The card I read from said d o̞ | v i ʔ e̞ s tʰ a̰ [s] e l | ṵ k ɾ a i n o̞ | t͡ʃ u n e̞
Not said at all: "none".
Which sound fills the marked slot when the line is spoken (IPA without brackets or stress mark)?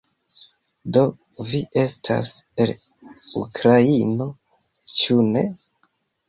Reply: s